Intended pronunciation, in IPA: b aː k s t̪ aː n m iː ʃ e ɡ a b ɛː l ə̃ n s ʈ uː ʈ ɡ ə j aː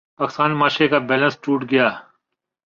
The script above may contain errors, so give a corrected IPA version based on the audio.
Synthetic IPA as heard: p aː k s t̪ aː n m aː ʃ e k a b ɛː l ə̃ n s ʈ uː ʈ ɡ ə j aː